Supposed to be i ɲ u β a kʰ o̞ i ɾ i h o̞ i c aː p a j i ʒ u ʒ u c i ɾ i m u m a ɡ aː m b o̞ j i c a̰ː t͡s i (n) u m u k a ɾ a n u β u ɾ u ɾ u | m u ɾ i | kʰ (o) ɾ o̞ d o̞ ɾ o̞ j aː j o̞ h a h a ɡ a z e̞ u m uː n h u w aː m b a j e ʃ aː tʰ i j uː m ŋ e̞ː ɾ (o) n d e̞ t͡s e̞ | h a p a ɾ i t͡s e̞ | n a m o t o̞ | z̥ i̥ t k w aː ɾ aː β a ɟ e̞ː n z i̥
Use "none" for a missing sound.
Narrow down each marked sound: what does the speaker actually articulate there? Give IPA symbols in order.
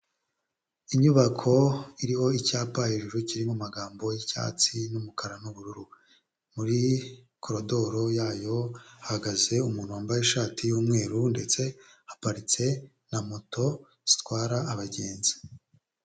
n, o, u

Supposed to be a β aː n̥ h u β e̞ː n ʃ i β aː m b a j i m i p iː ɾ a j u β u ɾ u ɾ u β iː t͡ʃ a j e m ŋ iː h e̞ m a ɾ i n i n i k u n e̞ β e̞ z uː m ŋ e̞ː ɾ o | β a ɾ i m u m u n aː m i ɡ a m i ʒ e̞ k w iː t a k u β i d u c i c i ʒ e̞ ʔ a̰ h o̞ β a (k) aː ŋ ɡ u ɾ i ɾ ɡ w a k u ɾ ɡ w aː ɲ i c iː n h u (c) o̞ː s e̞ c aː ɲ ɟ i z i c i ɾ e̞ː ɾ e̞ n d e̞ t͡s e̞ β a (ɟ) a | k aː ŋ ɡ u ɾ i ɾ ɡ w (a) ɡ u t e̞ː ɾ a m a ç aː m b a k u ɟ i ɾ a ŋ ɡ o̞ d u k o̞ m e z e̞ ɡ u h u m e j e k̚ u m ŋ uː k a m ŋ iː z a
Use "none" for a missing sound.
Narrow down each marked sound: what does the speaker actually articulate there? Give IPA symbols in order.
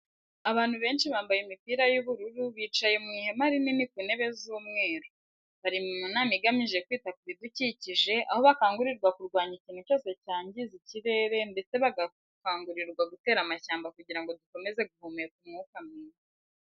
k, c, ɡ, a

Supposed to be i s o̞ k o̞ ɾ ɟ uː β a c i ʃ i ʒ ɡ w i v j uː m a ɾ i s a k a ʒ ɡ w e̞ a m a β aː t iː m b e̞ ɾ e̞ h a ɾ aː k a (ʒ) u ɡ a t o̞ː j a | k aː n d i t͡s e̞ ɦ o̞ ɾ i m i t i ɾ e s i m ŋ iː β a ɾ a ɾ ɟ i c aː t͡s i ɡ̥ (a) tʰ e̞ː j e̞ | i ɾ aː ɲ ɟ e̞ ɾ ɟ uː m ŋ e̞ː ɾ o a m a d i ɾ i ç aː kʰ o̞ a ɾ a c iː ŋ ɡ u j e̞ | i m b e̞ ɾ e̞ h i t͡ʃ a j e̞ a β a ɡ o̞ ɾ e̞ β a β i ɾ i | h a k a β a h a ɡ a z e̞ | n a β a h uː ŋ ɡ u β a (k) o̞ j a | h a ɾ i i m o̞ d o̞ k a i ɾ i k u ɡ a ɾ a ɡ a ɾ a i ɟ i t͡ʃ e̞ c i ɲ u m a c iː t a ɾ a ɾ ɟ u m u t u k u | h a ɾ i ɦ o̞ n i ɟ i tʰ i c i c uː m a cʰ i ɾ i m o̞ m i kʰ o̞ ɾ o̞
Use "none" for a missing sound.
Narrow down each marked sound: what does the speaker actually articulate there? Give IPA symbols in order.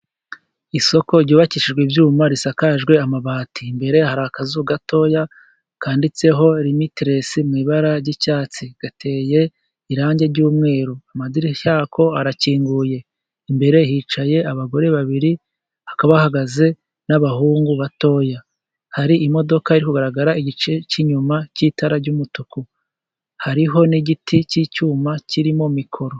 z, a, t

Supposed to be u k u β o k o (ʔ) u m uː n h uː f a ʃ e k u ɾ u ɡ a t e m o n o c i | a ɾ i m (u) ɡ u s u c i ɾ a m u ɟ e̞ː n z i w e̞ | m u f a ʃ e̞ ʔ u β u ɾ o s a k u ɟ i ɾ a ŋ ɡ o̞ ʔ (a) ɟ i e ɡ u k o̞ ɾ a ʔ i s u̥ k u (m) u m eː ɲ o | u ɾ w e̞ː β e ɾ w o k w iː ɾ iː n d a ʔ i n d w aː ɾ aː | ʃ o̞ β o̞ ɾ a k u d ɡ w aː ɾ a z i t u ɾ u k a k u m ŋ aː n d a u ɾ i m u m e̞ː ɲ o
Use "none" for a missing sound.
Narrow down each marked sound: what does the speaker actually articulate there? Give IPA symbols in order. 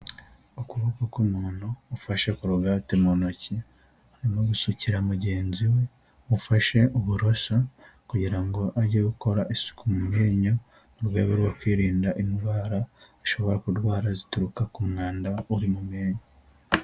k, o, a, m

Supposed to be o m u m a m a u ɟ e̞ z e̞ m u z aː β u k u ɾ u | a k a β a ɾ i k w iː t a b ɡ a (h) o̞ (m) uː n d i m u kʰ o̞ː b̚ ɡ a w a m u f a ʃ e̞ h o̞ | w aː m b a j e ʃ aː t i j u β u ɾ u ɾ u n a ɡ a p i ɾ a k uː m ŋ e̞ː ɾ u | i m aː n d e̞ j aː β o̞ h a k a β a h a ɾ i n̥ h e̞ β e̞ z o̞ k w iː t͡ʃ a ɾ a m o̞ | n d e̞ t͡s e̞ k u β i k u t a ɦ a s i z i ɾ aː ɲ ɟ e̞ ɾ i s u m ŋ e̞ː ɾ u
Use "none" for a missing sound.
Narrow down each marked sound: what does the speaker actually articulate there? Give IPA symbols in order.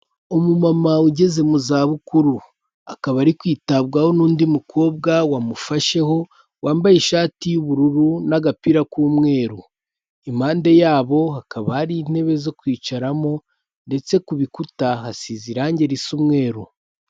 h, n

